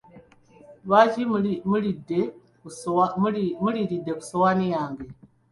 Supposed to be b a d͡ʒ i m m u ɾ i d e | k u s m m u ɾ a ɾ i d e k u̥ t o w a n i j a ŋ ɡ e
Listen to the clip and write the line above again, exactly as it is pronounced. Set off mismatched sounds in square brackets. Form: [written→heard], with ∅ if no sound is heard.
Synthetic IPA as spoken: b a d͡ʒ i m m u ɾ i d e | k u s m m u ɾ [a→i] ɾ i d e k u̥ [t→s] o w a n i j a ŋ ɡ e